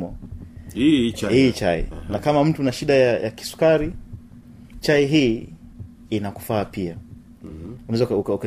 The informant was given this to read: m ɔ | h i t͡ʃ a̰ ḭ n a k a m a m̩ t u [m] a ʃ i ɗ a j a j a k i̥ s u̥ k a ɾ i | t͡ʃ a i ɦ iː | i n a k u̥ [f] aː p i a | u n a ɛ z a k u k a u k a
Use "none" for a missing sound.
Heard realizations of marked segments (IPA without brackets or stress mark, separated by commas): n, f